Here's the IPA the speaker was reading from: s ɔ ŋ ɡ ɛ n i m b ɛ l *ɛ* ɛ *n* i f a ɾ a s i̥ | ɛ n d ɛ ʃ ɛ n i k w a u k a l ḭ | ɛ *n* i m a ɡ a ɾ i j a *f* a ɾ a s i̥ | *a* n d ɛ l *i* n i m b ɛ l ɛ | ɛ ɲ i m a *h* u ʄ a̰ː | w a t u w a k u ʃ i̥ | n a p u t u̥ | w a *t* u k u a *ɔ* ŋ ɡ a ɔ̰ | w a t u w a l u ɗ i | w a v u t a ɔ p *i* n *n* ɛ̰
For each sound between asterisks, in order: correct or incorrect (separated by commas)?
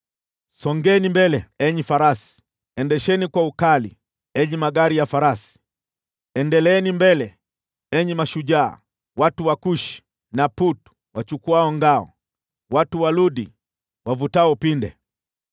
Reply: correct, incorrect, incorrect, correct, incorrect, incorrect, incorrect, incorrect, correct, correct, incorrect